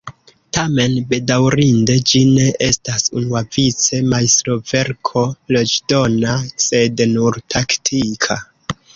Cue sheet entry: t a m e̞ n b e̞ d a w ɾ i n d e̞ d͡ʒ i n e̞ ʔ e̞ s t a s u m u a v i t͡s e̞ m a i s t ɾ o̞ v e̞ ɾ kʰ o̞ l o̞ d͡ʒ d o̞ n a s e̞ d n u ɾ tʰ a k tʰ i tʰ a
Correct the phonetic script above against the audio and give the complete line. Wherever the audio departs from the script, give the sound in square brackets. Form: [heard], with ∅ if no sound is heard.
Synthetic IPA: t a m e̞ n b e̞ d a w ɾ i n d e̞ d͡ʒ i n e̞ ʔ e̞ s t a s u [n] u a v i t͡s e̞ m a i s t ɾ o̞ v e̞ ɾ kʰ o̞ l o̞ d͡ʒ d o̞ n a s e̞ d n u ɾ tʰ a k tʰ i [kʰ] a